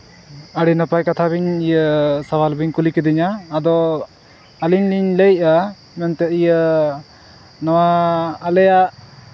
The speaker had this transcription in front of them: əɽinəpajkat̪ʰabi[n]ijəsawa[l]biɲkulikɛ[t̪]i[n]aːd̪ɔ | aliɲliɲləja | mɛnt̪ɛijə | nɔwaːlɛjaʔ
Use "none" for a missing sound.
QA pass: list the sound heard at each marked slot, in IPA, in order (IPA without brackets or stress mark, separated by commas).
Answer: ɲ, l, d̪, ɲ